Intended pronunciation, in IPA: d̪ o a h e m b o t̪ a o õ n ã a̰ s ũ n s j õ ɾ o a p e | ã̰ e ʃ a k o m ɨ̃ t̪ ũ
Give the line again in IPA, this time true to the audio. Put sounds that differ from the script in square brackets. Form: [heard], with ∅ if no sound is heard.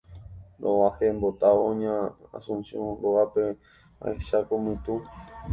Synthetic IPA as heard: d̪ o a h e m b o t̪ a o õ [ɲ] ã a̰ s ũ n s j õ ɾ o a p e | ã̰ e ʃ a k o m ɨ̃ t̪ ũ